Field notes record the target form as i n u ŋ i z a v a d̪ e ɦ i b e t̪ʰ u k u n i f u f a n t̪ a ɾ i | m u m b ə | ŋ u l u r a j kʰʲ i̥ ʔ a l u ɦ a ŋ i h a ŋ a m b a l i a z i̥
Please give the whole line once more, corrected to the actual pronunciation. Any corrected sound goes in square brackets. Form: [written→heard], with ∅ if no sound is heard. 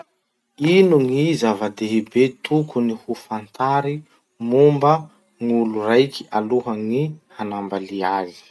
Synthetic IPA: i n u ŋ i z a v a d̪ e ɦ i b e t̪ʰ u k u n i [f→h] u f a n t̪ a ɾ i | m u m b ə | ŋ u l u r a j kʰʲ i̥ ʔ a l u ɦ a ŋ i h a [ŋ→n] a m b a l i a z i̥